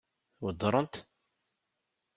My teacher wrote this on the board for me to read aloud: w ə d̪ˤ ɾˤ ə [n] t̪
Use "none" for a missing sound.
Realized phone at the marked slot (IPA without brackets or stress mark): n